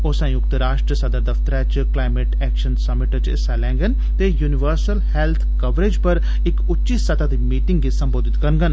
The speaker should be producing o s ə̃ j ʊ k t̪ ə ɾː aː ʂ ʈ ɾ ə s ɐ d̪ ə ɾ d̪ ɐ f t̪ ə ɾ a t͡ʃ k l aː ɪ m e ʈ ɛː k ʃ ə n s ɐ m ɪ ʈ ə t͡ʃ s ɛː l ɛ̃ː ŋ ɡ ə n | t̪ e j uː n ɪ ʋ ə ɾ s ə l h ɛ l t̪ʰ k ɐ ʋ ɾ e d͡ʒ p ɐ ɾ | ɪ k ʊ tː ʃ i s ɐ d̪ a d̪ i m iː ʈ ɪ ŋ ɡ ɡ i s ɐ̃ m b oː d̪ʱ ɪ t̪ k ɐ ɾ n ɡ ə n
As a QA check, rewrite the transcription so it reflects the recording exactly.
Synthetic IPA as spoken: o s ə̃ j ʊ k t̪ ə ɾ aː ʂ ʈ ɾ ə s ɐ d̪ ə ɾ d̪ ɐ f t̪ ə ɾ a t͡ʃ k l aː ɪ m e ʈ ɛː k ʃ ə n s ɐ m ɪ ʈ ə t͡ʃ s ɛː l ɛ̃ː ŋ ɡ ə n | t̪ e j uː n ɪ ʋ ə ɾ s ə l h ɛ l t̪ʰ k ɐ ʋ ɾ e d͡ʒ p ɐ ɾ | ɪ k ʊ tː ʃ i s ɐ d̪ a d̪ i m iː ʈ ɪ ŋ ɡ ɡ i s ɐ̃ m b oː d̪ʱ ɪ t̪ k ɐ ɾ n ɡ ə n